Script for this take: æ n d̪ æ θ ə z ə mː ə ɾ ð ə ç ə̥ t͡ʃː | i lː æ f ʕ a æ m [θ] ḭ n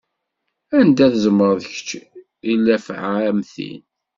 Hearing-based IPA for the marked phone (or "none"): θ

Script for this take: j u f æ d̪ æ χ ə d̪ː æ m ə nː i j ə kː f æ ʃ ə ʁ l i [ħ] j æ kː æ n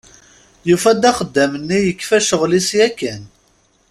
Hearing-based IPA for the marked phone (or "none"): s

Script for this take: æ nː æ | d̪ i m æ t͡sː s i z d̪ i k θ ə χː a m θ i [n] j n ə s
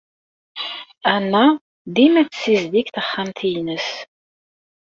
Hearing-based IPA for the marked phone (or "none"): none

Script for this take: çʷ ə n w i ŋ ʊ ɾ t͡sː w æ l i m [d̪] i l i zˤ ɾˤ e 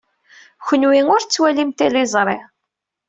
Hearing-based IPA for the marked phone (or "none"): t̪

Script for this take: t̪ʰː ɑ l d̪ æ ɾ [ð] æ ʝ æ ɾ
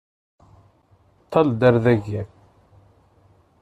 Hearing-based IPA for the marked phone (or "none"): ð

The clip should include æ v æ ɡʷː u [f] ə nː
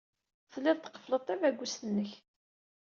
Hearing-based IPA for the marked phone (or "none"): s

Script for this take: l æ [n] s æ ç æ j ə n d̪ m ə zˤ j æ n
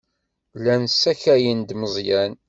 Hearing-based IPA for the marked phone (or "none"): n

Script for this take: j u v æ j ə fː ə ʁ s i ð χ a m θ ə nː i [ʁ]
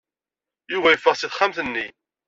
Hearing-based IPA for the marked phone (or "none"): none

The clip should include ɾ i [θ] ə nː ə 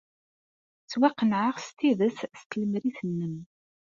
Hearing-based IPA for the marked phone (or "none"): θ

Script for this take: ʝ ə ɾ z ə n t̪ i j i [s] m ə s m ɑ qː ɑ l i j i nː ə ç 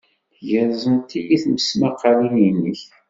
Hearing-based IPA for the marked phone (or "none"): θ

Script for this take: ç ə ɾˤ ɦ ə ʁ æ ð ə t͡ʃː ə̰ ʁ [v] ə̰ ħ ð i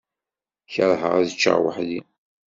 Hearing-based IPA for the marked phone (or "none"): w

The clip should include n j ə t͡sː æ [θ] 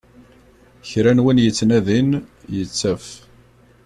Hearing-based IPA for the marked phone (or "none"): f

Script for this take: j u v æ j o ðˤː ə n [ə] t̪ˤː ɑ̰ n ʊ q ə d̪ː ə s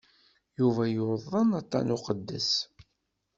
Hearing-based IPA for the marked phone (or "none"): ɑ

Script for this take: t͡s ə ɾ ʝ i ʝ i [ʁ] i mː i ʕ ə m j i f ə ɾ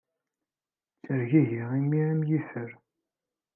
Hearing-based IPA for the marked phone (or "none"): ʁ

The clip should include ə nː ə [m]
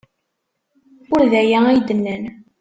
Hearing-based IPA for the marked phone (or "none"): n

